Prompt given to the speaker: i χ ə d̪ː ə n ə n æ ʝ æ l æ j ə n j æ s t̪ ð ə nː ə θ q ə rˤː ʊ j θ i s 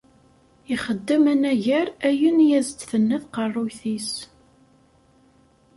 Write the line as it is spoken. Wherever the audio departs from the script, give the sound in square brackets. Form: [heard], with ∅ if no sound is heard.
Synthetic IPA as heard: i χ ə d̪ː ə [m] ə n æ ʝ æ [ɾ] æ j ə n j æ [z] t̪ [θ] ə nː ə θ q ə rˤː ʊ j θ i s